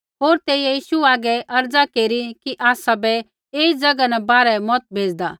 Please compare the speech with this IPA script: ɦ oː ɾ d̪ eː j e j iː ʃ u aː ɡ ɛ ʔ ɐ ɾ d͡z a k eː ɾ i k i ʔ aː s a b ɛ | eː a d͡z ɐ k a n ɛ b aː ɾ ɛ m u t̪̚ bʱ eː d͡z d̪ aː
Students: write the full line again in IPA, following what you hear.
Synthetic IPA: ɦ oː ɾ t̪ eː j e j iː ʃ u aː ɡ ɛ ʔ ɐ ɾ d͡z a k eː ɾ i k i ʔ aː s a b ɛ | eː i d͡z ɐ ɡ a n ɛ b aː ɾ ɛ m ɔ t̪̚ bʱ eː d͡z d̪ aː